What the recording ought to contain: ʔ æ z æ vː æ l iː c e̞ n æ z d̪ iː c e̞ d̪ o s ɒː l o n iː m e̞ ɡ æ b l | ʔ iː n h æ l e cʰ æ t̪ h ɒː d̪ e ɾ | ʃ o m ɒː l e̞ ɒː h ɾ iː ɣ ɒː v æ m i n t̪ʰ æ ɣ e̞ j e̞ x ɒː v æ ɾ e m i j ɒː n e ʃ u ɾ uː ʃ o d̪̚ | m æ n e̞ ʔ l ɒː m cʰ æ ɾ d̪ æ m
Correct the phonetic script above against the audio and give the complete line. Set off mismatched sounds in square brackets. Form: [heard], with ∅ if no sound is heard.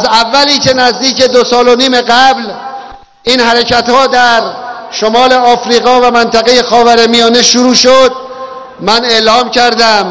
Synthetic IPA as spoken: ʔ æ z æ vː æ l iː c e̞ n æ z d̪ iː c e̞ d̪ o s ɒː l o n iː m e̞ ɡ æ b l | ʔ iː n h æ [ɾ] e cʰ æ t̪ h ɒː d̪ [æ] ɾ | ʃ o m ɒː l e̞ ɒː [f] ɾ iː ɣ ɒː v æ m [æ] n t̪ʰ æ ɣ e̞ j e̞ x ɒː v æ ɾ e m i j ɒː n e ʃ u ɾ uː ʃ o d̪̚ | m æ n e̞ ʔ l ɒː m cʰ æ ɾ d̪ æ m